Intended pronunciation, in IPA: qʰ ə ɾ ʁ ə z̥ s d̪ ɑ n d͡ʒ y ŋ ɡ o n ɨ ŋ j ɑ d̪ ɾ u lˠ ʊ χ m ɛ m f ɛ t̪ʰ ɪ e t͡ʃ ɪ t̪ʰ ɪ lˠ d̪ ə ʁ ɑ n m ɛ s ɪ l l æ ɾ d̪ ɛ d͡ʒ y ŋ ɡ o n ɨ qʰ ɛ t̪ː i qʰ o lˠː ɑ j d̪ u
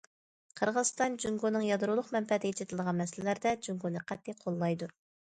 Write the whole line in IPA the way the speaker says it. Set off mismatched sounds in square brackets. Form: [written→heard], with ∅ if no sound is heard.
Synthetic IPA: qʰ ə ɾ ʁ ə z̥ s [d̪→t̪] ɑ n d͡ʒ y ŋ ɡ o n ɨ ŋ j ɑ d̪ ɾ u lˠ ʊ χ m ɛ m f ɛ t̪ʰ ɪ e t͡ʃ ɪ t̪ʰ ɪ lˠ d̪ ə ʁ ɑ n m ɛ s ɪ l l æ ɾ d̪ ɛ d͡ʒ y ŋ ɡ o n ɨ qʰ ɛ t̪ː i qʰ o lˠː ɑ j d̪ u